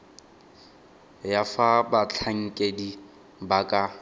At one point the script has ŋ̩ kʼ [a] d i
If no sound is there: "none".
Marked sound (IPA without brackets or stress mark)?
e